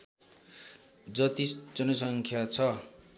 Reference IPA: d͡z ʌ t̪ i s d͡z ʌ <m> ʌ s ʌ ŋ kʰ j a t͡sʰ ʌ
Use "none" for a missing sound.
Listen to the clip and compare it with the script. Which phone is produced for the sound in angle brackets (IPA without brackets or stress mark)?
n